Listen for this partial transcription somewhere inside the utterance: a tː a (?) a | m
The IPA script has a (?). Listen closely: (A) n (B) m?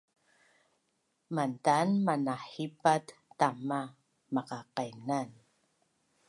B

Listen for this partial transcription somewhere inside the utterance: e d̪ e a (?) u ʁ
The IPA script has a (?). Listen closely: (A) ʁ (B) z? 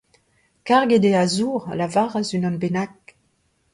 B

